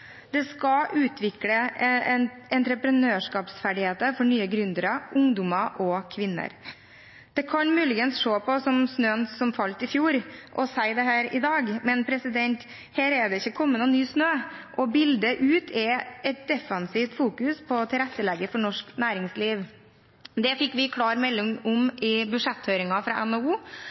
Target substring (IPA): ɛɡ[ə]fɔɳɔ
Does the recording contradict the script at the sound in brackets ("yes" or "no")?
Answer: no